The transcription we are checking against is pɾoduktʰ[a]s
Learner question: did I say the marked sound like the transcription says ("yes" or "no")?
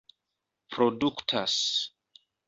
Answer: yes